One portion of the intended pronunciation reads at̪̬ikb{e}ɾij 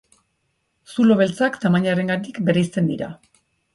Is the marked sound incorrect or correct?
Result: correct